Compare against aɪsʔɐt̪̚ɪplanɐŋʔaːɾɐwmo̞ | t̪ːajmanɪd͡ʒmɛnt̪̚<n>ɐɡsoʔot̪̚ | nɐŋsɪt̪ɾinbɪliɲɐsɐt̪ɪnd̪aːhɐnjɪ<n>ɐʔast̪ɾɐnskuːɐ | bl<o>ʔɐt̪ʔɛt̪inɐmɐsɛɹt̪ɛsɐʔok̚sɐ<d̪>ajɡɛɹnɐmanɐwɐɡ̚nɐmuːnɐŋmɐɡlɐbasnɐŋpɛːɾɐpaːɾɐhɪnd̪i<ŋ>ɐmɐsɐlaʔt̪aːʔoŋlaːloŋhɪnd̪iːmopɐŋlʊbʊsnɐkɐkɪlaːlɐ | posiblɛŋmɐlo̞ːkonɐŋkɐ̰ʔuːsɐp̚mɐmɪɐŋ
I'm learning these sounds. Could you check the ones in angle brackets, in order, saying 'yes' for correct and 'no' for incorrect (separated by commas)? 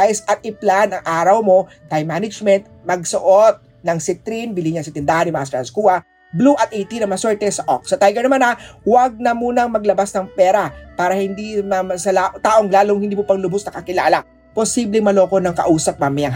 no, no, no, no, no